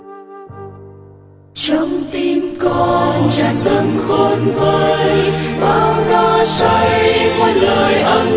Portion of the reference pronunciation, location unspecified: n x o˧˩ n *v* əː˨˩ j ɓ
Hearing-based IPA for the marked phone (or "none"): v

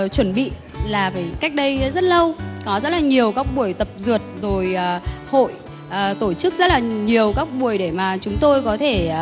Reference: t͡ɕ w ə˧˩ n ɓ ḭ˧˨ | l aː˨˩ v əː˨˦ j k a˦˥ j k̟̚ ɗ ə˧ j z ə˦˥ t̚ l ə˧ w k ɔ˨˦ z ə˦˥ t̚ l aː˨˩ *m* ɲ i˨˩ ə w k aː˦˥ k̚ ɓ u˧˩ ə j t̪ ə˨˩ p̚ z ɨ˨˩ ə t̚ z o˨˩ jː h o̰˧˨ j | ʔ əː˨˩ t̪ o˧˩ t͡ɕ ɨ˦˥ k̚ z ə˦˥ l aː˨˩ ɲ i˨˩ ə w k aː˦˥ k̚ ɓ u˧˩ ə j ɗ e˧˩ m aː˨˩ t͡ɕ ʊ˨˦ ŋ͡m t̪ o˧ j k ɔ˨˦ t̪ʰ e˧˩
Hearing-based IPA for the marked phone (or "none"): none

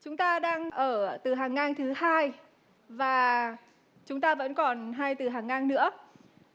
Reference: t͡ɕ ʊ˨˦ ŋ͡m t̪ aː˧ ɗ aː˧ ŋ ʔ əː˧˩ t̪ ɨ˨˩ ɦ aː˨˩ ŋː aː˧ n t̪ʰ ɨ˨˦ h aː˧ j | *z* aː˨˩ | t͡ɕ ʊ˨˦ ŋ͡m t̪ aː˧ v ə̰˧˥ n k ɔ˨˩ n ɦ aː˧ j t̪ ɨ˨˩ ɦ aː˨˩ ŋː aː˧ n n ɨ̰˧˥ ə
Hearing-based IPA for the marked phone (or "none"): v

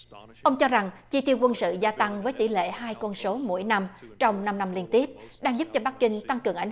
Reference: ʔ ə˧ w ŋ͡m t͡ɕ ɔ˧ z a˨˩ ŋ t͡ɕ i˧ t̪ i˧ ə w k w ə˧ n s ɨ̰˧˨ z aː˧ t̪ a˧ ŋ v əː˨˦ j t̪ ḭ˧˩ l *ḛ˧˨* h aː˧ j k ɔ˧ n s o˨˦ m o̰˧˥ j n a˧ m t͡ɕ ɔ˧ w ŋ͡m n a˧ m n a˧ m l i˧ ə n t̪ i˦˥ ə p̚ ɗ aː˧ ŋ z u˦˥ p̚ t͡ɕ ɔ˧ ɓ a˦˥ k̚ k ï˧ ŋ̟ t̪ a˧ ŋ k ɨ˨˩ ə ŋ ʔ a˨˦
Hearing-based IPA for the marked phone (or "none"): ḛ˧˨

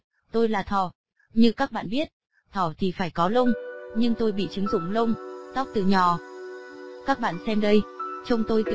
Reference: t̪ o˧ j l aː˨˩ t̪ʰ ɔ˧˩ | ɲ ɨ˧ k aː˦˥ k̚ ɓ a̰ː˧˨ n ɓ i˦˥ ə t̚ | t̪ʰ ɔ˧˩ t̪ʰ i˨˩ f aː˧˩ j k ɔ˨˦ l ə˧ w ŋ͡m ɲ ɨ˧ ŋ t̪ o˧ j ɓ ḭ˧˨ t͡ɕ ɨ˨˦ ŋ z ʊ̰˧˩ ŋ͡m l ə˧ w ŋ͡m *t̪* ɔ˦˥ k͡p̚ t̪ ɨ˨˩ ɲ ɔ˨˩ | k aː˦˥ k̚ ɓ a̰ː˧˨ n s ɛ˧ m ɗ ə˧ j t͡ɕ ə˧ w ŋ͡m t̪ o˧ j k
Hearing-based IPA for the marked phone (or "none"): t̪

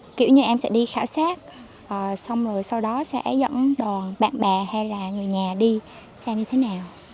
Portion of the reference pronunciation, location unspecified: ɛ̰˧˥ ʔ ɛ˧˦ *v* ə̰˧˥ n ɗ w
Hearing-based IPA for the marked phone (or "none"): z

